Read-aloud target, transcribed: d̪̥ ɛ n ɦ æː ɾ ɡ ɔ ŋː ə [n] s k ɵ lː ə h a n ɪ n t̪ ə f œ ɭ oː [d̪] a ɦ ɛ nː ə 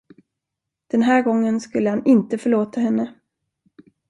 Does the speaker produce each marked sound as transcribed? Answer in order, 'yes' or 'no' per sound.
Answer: yes, no

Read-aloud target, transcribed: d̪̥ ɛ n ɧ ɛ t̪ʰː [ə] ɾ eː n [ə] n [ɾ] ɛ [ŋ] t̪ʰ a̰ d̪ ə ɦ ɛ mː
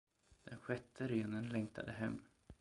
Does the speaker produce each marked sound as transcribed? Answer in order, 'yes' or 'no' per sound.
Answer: yes, yes, no, yes

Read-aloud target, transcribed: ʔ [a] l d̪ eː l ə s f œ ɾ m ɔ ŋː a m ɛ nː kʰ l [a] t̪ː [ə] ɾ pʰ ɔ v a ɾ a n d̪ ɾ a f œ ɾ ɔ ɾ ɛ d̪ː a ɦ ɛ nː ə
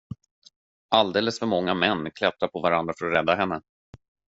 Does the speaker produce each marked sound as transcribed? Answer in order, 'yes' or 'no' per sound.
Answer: yes, no, no

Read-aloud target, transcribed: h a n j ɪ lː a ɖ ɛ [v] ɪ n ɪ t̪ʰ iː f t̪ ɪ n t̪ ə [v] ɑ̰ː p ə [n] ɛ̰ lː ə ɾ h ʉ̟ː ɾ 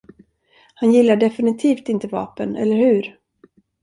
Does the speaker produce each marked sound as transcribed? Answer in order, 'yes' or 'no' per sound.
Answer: no, yes, yes

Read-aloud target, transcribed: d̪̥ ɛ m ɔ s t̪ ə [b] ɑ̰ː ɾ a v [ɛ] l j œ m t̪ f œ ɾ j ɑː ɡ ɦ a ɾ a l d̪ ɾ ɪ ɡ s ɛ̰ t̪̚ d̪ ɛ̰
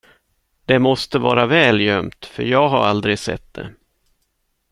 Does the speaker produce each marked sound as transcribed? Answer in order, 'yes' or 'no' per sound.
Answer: no, no

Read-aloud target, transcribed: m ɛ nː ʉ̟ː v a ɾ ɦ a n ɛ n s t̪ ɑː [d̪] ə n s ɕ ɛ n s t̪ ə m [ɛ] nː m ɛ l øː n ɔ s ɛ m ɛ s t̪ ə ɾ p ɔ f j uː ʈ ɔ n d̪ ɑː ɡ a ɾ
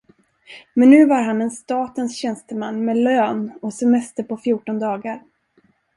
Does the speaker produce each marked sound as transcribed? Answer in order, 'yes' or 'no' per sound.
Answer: no, no

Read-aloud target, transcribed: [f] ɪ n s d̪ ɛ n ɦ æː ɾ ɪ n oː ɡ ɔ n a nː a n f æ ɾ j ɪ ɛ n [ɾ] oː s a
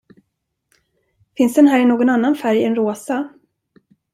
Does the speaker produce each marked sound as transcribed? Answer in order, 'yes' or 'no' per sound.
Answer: yes, yes

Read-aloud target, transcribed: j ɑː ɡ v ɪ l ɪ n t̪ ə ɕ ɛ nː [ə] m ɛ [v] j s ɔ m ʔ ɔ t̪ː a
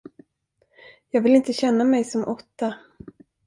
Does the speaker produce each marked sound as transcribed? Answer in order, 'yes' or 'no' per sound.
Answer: no, no

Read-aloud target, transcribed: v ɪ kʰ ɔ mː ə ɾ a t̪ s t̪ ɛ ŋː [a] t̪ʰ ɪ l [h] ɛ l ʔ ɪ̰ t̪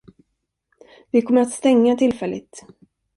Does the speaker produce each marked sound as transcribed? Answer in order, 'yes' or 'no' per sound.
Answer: yes, no

